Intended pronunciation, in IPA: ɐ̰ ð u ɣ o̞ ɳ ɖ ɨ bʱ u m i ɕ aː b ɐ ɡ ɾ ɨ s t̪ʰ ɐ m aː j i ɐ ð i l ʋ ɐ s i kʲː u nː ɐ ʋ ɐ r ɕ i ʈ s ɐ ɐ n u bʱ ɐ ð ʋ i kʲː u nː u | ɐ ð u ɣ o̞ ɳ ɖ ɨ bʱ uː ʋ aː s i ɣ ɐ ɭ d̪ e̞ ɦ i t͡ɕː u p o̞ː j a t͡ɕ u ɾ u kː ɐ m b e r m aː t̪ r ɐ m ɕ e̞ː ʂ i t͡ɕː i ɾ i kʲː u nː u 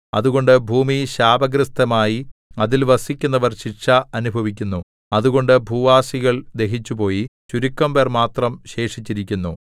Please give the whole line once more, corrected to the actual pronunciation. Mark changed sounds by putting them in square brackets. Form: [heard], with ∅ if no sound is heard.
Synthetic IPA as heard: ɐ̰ ð u ɣ o̞ ɳ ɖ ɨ bʱ [uː] m i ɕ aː b ɐ ɡ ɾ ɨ s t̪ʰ ɐ m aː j i ɐ ð i l ʋ ɐ s i kʲː u nː ɐ ʋ ɐ r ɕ i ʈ [ʂ] ɐ ɐ n u bʱ ɐ [∅] ʋ i kʲː u nː u | ɐ ð u ɣ o̞ ɳ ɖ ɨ bʱ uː ʋ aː s i ɣ ɐ ɭ d̪ e̞ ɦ i t͡ɕː u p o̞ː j [i] t͡ɕ u ɾ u kː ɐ m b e r m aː t̪ r ɐ m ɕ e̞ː ʂ i t͡ɕː i ɾ i kʲː u nː u

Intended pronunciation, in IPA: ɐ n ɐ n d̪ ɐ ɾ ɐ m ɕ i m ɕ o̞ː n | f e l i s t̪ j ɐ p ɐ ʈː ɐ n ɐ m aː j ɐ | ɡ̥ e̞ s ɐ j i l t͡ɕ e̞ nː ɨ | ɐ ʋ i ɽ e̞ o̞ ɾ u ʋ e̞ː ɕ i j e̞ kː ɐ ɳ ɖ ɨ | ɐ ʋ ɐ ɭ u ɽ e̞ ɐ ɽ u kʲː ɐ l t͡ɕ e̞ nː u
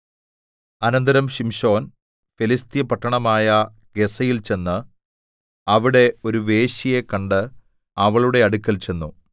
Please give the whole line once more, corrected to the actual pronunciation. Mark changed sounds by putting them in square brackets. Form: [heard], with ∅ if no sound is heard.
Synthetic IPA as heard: ɐ n ɐ n d̪ ɐ ɾ ɐ m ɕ i m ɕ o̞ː n | f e l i s t̪ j ɐ p ɐ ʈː ɐ [ɳ] ɐ m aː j ɐ | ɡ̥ e̞ s ɐ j i l t͡ɕ e̞ nː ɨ | ɐ ʋ i ɽ e̞ o̞ ɾ u ʋ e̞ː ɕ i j e̞ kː ɐ ɳ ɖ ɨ | ɐ ʋ ɐ ɭ u ɽ e̞ ɐ ɽ u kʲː ɐ l t͡ɕ e̞ nː u

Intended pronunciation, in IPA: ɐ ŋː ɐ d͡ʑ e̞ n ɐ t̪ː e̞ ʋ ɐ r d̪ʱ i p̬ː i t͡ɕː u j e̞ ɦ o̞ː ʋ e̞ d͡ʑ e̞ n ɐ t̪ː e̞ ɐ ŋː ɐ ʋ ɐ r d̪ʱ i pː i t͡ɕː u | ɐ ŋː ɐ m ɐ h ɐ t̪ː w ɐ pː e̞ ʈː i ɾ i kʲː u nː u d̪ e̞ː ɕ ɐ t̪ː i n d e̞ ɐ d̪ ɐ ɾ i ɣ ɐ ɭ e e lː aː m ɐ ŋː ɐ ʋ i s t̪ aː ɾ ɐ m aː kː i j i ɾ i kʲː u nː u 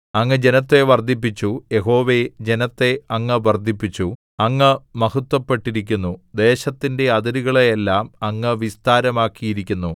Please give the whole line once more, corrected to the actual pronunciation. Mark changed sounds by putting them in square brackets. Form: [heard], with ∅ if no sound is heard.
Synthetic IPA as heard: ɐ ŋː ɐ d͡ʑ e̞ n ɐ t̪ː e̞ ʋ ɐ r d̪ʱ i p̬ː i t͡ɕː u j e̞ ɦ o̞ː ʋ e̞ d͡ʑ e̞ n ɐ t̪ː e̞ ɐ ŋː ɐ ʋ ɐ r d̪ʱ i pː i t͡ɕː u | ɐ ŋː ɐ m ɐ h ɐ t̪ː w ɐ pː e̞ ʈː i ɾ i kʲː u nː u d̪ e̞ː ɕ ɐ t̪ː i n d e̞ ɐ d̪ ɐ ɾ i ɣ ɐ ɭ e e lː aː m ɐ ŋː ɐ ʋ i s t̪ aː ɾ ɐ m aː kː i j i ɾ i kʲː u nː u

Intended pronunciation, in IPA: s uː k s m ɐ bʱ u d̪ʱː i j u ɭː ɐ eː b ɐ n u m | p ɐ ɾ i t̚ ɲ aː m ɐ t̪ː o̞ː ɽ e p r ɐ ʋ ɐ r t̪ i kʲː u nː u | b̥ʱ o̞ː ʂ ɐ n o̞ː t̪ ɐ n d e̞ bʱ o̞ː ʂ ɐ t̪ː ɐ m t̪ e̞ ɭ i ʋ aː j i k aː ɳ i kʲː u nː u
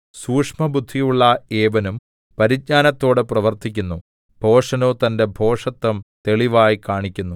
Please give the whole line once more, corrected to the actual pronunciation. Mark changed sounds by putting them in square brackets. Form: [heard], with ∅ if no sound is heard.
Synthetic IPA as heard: s uː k [ʂ] m ɐ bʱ u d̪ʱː i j u ɭː ɐ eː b ɐ n u m | p ɐ ɾ i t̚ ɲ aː [n] ɐ t̪ː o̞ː ɽ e p r ɐ ʋ ɐ r t̪ i kʲː u nː u | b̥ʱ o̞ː ʂ ɐ n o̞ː t̪ ɐ n d e̞ bʱ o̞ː ʂ ɐ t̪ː ɐ m t̪ e̞ ɭ i ʋ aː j i k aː ɳ i kʲː u nː u

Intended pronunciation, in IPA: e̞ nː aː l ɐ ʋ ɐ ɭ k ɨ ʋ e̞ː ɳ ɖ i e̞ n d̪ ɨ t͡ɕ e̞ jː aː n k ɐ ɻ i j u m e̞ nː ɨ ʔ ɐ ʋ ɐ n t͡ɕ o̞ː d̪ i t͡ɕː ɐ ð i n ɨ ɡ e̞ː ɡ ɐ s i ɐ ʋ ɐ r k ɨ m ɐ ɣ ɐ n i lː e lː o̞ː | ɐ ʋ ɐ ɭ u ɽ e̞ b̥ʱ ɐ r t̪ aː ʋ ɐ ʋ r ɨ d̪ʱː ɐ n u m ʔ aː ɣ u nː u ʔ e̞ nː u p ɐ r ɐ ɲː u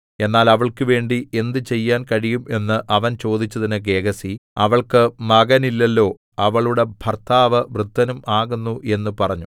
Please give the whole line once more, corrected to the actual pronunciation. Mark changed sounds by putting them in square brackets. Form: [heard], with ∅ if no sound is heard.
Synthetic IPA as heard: e̞ nː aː l ɐ ʋ ɐ ɭ k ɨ ʋ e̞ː ɳ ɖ i e̞ n d̪ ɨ t͡ɕ e̞ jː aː n k ɐ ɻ i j u m e̞ nː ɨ ʔ ɐ ʋ ɐ n t͡ɕ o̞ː d̪ i t͡ɕː ɐ ð i n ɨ ɡ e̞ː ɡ ɐ s i ɐ ʋ ɐ [ɭ] k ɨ m ɐ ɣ ɐ n i lː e lː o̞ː | ɐ ʋ ɐ ɭ u ɽ e̞ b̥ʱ ɐ r t̪ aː ʋ ɐ ʋ r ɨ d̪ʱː ɐ n u m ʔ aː ɣ u nː u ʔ e̞ nː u p ɐ r ɐ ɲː u

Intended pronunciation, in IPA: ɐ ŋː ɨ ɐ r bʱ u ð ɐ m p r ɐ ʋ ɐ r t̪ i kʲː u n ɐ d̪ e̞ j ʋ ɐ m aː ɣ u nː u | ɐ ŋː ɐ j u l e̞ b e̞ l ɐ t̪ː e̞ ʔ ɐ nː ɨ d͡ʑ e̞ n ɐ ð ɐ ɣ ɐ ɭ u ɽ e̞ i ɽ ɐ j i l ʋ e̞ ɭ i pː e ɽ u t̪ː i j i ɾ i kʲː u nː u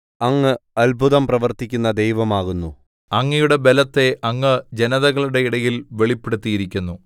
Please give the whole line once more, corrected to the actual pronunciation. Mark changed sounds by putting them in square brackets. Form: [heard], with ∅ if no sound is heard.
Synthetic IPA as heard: ɐ ŋː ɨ ɐ [l] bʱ u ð ɐ m p r ɐ ʋ ɐ r t̪ i kʲː u [nː] ɐ d̪ e̞ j ʋ ɐ m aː ɣ u nː u | ɐ ŋː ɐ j u [ɽ] e̞ b e̞ l ɐ t̪ː e̞ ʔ ɐ [ŋː] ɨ d͡ʑ e̞ n ɐ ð ɐ ɣ ɐ ɭ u ɽ e̞ i ɽ ɐ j i l ʋ e̞ ɭ i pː e ɽ u t̪ː i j i ɾ i kʲː u nː u

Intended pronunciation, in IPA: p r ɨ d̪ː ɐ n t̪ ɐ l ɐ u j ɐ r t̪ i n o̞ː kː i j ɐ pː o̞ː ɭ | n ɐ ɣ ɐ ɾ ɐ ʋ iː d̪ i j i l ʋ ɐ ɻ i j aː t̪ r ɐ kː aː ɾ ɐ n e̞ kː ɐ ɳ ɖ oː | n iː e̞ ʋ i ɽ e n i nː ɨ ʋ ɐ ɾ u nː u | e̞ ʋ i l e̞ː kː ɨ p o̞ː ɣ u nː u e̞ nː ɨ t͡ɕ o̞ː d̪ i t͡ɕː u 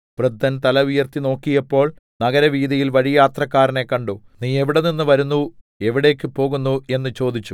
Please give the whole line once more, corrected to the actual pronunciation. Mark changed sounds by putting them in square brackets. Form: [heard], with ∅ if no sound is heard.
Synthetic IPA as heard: p r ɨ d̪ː ɐ n t̪ ɐ l ɐ u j ɐ r t̪ i n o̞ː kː i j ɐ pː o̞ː ɭ | n ɐ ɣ ɐ ɾ ɐ ʋ iː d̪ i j i l ʋ ɐ ɻ i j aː t̪ r ɐ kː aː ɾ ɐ n e̞ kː ɐ ɳ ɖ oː | n iː e̞ ʋ i ɽ e n i nː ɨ ʋ ɐ ɾ u nː u | e̞ ʋ i [ɽ] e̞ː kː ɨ p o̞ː ɣ u nː u e̞ nː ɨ t͡ɕ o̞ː d̪ i t͡ɕː u

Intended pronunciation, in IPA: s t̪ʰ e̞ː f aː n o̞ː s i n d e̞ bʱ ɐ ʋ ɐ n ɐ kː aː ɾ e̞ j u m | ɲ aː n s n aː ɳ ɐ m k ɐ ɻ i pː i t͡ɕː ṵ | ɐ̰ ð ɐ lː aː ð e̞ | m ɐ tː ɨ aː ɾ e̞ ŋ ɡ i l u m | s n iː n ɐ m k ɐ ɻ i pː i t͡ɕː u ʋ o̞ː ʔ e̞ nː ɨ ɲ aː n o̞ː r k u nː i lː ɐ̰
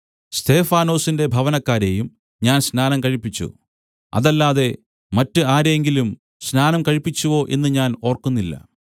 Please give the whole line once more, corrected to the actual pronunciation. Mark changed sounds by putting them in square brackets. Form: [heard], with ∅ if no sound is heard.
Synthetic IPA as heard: s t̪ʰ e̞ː f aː n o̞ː s i n d e̞ bʱ ɐ ʋ ɐ n ɐ kː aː ɾ e̞ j u m | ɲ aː n s n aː [n] ɐ m k ɐ ɻ i pː i t͡ɕː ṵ | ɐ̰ ð ɐ lː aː ð e̞ | m ɐ tː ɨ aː ɾ e̞ ŋ ɡ i l u m | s n [aː] n ɐ m k ɐ ɻ i pː i t͡ɕː u ʋ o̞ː ʔ e̞ nː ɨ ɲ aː n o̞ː r k u nː i lː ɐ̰

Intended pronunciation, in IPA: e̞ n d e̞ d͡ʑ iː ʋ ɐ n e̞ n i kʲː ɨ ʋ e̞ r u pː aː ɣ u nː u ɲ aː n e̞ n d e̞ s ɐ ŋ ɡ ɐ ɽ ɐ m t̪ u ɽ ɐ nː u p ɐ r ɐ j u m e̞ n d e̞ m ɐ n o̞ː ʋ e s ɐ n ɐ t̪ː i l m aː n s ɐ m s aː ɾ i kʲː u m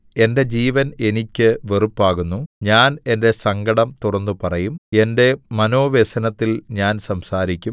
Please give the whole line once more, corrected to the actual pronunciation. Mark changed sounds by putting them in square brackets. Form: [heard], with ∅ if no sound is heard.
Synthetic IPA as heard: e̞ n d e̞ d͡ʑ iː ʋ ɐ n e̞ n i kʲː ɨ ʋ e̞ r u pː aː ɣ u nː u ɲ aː n e̞ n d e̞ s ɐ ŋ ɡ ɐ ɽ ɐ m t̪ u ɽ ɐ nː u p ɐ r ɐ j u m e̞ n d e̞ m ɐ n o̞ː ʋ e s ɐ n ɐ t̪ː i l [ɲ] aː n s ɐ m s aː ɾ i kʲː u m

